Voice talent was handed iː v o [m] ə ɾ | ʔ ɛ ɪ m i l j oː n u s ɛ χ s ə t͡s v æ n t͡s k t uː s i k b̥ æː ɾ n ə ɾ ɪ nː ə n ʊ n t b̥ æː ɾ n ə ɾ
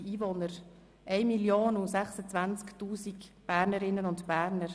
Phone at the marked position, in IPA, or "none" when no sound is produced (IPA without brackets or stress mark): n